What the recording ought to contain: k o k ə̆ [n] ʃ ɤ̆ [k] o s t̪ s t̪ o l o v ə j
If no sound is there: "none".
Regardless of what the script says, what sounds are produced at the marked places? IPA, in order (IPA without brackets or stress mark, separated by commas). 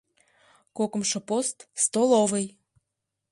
m, p